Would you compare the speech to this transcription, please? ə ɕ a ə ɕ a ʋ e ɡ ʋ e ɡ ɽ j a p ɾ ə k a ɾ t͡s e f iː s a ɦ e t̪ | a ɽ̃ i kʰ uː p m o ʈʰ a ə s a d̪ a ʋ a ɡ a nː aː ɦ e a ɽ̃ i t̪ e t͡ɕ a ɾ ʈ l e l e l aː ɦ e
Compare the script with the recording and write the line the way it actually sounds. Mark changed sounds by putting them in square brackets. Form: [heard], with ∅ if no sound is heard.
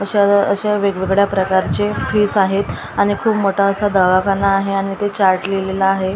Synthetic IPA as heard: ə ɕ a ə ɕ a ʋ e ɡ ʋ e ɡ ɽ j a p ɾ ə k a ɾ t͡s e f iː s a ɦ e t̪ | a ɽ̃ i kʰ uː p m o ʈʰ a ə s a d̪ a ʋ a [k] a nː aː ɦ e a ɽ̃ i t̪ e t͡ɕ a ɾ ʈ l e l e l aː ɦ e